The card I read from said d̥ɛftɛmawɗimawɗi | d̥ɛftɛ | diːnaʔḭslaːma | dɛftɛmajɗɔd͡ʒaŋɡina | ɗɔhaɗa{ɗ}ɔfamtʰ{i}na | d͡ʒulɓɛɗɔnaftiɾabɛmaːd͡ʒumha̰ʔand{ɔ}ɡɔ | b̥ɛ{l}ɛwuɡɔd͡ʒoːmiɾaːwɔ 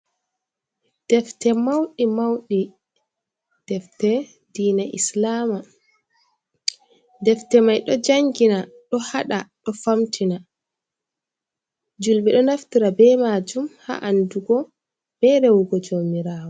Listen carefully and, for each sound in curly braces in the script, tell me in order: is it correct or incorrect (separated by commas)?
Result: correct, correct, incorrect, incorrect